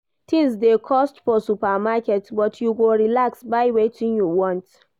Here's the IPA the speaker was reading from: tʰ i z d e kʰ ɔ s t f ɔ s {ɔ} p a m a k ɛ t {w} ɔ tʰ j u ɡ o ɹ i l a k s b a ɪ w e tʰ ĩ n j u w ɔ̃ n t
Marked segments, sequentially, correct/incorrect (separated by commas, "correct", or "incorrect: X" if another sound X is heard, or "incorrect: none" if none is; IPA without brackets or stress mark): incorrect: u, incorrect: b